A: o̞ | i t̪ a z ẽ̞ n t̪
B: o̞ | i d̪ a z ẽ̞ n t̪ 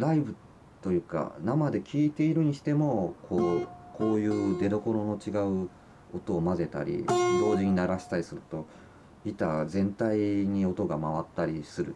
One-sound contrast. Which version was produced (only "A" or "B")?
A